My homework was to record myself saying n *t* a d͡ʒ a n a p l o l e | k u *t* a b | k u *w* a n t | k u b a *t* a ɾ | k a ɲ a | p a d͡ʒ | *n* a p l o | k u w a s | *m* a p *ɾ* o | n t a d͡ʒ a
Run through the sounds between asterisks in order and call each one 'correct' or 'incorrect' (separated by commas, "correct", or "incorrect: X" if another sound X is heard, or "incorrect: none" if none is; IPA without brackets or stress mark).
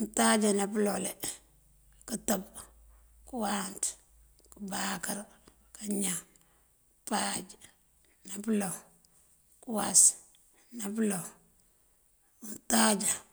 correct, correct, correct, incorrect: k, correct, incorrect: n, incorrect: l